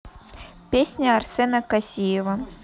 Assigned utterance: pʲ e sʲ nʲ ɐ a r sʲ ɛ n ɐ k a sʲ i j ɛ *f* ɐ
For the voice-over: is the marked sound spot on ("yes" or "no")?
no